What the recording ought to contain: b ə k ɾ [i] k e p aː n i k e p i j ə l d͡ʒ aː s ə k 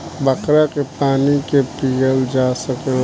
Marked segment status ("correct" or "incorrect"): incorrect